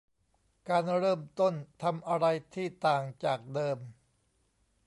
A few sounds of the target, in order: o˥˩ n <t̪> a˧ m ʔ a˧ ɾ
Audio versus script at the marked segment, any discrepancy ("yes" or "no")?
yes